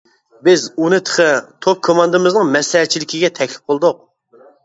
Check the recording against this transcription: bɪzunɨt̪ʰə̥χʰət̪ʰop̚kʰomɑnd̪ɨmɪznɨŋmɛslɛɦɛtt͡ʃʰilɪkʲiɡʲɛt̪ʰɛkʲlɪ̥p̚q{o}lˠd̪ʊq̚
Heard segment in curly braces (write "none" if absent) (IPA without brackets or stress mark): o